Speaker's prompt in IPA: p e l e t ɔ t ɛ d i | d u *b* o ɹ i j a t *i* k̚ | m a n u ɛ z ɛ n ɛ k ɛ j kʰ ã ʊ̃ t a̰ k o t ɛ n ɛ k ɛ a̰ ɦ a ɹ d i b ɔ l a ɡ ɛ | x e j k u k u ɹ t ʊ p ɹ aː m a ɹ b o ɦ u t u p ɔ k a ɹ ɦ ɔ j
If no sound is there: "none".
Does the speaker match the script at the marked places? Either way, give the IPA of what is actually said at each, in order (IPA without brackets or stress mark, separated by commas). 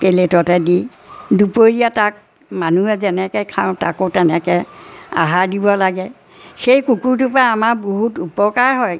p, a